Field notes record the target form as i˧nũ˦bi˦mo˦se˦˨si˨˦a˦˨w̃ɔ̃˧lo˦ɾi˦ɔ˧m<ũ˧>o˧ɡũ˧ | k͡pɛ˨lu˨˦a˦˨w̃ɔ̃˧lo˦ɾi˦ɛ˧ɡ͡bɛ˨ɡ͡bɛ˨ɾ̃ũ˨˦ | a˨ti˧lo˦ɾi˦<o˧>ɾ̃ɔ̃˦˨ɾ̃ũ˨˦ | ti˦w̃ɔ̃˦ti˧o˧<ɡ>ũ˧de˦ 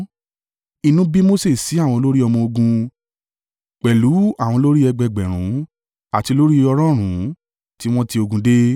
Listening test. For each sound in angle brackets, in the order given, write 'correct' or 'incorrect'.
incorrect: ɔ̃˧, incorrect: ɔ˧, correct

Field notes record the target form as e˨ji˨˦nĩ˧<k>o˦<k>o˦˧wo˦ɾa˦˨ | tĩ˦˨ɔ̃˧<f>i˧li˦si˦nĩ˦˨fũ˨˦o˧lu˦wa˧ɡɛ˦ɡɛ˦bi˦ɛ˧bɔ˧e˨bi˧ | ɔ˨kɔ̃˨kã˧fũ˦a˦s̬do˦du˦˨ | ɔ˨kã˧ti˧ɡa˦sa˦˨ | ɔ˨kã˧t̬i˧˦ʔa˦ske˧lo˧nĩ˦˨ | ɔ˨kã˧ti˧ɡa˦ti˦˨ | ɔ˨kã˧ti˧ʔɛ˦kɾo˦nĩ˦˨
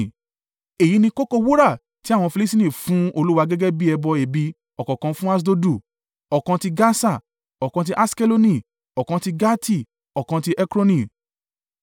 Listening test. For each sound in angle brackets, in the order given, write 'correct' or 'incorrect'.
correct, correct, correct

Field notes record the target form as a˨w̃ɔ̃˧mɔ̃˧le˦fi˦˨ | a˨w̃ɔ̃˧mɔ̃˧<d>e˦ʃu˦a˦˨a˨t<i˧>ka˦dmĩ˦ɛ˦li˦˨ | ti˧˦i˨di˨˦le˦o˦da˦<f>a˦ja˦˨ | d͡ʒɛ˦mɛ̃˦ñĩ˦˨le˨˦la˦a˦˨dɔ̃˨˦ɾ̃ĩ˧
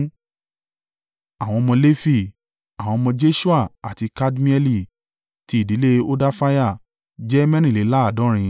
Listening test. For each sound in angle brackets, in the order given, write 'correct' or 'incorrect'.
incorrect: d͡ʒ, correct, correct

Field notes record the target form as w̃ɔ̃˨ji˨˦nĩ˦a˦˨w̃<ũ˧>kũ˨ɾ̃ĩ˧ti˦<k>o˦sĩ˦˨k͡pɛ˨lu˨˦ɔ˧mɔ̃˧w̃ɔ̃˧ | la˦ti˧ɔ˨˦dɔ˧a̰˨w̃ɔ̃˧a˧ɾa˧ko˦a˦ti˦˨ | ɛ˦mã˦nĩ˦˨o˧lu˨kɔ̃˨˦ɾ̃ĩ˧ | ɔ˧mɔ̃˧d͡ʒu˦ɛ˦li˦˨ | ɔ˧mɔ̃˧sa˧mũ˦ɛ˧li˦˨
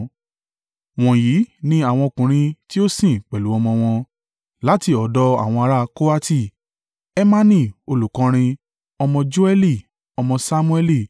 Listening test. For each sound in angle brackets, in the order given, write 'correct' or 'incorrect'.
incorrect: ɔ̃˧, incorrect: none

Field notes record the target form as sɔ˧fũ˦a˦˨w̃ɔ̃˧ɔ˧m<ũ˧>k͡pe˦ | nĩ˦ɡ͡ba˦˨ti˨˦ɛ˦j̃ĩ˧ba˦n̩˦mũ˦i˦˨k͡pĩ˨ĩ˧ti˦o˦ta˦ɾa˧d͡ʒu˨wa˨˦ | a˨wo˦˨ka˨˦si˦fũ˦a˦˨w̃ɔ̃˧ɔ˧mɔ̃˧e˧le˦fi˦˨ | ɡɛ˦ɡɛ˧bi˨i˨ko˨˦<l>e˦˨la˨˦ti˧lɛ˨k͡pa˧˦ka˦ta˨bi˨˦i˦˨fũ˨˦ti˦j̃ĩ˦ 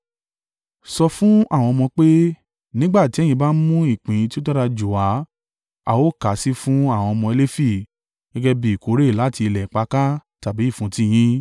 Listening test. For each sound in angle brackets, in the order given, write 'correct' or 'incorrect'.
incorrect: ɔ̃˧, incorrect: ɾ

